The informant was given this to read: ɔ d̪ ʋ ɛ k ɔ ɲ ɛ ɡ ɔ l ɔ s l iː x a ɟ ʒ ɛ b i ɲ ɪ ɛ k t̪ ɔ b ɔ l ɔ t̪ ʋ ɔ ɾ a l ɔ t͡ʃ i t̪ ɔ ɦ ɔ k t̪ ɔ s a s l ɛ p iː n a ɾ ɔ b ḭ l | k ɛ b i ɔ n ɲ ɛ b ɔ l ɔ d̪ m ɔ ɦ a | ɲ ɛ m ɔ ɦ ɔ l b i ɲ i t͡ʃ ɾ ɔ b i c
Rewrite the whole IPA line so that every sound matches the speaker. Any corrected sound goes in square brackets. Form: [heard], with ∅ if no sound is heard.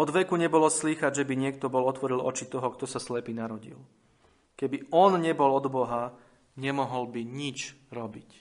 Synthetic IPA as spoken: ɔ d̪ ʋ ɛ k [u] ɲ ɛ [b] ɔ l ɔ s l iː x a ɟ ʒ ɛ b i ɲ ɪ ɛ k t̪ ɔ b ɔ l ɔ t̪ ʋ ɔ ɾ [i] l ɔ t͡ʃ i t̪ ɔ ɦ ɔ k t̪ ɔ s a s l ɛ p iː n a ɾ ɔ [ɟ] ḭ l | k ɛ b i ɔ n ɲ ɛ b ɔ l ɔ d̪ [b] ɔ ɦ a | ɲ ɛ m ɔ ɦ ɔ l b i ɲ i t͡ʃ ɾ ɔ b i c